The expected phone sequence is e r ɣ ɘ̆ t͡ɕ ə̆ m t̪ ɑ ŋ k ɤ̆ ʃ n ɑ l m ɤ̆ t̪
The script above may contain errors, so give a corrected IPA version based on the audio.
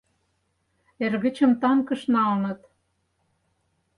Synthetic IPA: e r ɣ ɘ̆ t͡ɕ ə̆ m t̪ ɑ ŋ k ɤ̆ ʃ n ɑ l n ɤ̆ t̪